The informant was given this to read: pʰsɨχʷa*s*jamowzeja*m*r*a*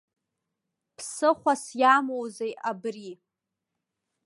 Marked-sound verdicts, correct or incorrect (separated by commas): correct, incorrect, incorrect